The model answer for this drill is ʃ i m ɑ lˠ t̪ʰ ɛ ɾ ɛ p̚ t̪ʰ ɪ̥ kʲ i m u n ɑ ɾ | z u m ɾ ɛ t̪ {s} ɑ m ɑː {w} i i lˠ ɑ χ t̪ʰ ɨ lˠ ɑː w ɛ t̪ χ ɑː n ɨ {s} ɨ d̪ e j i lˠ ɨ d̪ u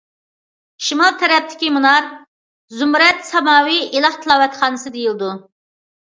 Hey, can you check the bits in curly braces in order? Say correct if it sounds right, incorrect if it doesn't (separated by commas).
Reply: correct, correct, correct